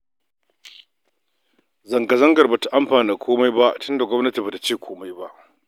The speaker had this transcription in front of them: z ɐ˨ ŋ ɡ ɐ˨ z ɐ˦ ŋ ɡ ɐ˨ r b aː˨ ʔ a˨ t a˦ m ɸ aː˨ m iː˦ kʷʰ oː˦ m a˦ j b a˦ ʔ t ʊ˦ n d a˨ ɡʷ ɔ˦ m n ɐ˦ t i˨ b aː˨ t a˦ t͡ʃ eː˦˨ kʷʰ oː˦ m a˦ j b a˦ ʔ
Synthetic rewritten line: z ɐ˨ ŋ ɡ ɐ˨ z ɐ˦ ŋ ɡ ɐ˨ r b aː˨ t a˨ ʔ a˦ m ɸ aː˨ n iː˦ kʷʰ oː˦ m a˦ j b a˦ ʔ t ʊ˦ n d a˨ ɡʷ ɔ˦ m n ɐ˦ t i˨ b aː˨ t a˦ t͡ʃ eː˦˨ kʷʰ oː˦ m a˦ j b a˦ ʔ